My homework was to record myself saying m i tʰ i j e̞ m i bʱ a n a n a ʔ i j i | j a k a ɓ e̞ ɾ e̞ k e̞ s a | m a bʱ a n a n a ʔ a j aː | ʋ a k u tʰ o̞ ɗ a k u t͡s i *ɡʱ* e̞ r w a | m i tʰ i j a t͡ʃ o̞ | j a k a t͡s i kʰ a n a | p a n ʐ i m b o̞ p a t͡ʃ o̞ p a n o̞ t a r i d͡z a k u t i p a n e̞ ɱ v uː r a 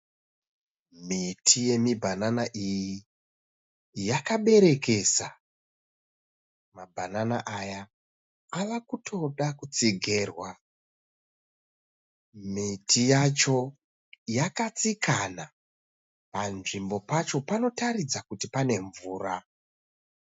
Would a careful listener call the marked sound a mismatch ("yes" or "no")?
no